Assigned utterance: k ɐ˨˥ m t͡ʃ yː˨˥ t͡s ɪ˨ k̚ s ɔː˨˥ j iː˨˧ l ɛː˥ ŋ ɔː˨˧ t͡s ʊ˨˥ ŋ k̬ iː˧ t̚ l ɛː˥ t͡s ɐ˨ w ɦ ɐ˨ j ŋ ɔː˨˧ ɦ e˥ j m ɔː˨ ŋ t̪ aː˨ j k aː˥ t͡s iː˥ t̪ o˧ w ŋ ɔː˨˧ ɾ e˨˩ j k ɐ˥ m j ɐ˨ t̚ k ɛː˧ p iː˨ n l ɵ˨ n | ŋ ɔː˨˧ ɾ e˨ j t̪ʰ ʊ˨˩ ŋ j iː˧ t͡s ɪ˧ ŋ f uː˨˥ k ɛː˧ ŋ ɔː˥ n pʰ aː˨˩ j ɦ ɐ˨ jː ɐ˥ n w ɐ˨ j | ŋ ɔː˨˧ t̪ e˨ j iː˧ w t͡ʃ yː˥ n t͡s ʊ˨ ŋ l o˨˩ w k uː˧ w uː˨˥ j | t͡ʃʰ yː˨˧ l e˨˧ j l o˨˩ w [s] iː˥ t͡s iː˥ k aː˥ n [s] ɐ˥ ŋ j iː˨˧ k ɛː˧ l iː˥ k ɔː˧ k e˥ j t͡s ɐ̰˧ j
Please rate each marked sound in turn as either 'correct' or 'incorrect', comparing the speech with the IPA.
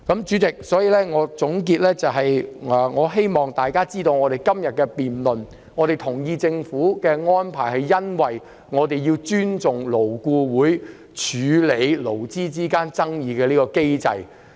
incorrect: t͡s, incorrect: t͡s

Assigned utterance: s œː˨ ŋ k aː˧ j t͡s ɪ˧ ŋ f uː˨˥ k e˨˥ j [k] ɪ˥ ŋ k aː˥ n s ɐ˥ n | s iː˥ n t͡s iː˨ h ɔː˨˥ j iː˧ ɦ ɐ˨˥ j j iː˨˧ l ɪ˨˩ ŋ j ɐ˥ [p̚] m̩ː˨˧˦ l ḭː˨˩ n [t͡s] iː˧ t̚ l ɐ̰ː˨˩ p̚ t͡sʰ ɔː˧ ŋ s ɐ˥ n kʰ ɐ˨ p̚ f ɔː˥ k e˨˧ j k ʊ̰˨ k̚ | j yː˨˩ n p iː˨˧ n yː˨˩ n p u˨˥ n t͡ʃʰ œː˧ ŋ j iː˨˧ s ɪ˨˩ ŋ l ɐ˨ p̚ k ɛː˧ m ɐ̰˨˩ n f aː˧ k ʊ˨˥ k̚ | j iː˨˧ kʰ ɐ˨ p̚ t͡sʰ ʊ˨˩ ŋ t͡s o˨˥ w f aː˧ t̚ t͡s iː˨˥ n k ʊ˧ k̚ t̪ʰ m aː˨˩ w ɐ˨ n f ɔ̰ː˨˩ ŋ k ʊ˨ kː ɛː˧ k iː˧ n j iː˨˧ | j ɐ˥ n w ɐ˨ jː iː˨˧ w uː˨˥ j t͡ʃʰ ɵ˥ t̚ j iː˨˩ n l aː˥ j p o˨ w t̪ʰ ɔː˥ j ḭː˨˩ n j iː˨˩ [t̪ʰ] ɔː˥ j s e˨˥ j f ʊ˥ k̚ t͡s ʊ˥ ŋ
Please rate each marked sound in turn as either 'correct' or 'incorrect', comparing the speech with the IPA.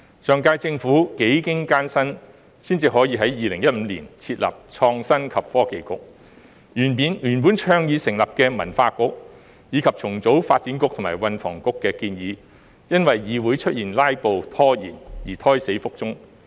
correct, incorrect: t̚, incorrect: t͡sʰ, correct

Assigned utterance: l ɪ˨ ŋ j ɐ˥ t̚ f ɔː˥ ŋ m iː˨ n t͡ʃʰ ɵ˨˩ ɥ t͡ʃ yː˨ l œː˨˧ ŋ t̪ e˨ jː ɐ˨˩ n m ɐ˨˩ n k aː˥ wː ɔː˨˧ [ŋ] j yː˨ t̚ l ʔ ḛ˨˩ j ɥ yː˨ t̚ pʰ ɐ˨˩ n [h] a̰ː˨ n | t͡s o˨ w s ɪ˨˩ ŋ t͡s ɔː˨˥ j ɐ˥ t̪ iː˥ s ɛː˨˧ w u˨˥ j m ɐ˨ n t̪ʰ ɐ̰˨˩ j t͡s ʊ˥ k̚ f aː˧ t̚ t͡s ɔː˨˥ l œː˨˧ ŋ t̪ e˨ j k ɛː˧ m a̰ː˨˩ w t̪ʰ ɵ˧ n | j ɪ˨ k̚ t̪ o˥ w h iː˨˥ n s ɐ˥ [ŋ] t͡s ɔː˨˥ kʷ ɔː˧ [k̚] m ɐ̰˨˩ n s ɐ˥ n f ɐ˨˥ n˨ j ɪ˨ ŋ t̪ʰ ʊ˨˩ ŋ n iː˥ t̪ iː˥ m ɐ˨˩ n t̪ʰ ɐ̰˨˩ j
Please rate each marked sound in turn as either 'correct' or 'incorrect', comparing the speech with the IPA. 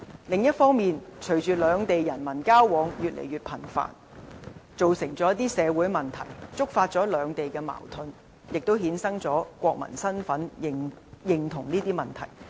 correct, incorrect: f, correct, correct

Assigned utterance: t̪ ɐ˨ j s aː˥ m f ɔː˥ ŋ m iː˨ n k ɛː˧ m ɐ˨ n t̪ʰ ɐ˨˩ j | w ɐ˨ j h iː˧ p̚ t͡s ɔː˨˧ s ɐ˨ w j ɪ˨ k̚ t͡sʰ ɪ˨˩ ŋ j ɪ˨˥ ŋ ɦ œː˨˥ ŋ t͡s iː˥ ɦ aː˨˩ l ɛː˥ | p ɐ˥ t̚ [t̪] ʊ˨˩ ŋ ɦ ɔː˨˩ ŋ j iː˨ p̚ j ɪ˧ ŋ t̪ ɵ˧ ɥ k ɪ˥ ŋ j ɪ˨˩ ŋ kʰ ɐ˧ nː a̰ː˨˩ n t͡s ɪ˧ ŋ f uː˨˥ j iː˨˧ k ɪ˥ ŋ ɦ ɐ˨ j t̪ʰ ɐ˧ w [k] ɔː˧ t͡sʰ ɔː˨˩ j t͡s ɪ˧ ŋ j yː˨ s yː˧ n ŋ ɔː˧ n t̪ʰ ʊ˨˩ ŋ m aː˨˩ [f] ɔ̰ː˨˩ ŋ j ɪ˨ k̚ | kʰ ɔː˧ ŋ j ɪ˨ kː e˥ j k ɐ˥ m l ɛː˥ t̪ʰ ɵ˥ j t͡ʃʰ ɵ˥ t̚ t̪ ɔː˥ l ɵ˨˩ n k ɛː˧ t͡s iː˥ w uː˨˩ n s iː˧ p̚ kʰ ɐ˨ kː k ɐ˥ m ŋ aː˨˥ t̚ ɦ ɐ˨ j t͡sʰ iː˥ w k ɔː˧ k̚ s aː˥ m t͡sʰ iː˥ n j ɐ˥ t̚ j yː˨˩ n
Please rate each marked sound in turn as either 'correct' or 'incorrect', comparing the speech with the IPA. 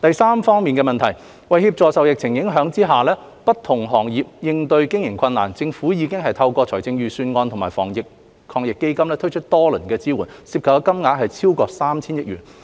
incorrect: t̪ʰ, correct, correct

